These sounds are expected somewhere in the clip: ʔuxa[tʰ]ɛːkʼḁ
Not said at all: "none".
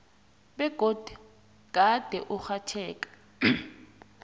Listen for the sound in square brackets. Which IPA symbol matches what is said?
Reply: tʰ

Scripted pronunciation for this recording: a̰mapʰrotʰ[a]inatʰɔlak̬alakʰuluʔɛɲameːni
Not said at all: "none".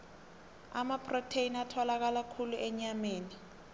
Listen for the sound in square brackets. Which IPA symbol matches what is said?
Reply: e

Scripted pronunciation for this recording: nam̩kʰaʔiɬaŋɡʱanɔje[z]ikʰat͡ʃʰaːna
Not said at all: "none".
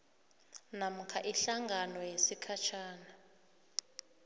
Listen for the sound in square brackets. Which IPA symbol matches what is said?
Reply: s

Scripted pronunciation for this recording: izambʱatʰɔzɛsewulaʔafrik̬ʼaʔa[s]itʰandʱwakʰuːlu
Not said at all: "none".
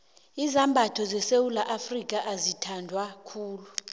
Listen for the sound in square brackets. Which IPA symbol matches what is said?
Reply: z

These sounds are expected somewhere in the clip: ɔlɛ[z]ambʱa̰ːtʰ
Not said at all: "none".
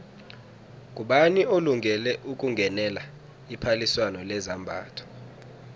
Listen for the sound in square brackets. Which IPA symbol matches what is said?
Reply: z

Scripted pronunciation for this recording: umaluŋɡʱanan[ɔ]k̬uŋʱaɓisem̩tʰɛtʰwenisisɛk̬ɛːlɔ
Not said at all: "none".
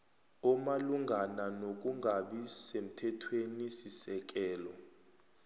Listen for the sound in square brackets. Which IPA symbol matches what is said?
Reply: o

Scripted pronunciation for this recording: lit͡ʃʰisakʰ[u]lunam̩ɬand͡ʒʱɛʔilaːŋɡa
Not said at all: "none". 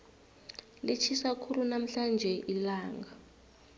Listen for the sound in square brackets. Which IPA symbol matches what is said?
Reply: u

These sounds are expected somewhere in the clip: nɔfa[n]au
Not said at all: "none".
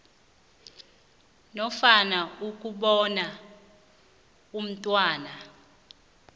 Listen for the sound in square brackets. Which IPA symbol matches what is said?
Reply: n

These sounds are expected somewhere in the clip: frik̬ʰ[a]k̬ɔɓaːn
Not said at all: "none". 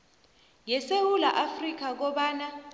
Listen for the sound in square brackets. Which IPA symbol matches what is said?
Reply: a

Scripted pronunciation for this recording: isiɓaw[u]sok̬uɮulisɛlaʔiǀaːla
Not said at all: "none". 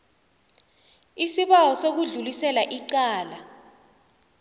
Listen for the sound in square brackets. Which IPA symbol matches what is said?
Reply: ɔ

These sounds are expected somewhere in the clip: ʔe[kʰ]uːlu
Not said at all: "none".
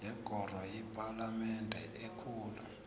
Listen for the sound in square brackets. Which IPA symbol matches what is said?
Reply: kʰ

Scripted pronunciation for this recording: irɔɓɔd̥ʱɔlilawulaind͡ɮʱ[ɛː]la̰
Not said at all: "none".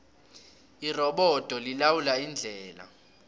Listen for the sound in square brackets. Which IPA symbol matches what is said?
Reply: ɛː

